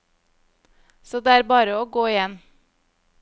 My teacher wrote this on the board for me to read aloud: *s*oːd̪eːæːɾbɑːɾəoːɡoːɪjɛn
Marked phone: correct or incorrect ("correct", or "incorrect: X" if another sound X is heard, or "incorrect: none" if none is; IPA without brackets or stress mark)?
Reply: correct